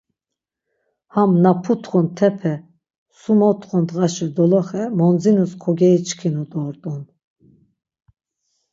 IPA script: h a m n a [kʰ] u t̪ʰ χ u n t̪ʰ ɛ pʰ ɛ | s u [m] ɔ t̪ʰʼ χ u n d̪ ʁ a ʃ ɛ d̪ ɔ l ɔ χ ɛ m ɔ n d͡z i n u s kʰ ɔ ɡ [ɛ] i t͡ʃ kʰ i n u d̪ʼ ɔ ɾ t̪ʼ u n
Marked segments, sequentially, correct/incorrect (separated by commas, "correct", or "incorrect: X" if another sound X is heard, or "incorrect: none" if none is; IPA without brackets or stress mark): incorrect: pʰ, correct, correct